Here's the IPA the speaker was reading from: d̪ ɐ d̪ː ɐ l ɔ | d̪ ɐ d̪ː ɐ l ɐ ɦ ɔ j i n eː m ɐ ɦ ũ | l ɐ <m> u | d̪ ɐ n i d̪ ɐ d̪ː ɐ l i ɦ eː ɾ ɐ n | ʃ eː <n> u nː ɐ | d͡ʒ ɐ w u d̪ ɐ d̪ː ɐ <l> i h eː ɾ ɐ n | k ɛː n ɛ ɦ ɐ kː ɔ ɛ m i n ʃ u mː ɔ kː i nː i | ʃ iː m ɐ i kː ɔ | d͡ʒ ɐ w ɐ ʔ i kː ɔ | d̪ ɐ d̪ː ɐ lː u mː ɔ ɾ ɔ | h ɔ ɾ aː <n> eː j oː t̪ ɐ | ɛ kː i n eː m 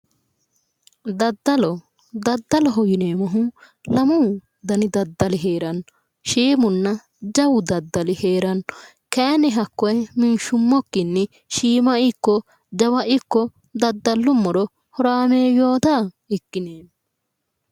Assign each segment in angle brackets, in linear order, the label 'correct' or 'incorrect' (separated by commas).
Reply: correct, incorrect, correct, incorrect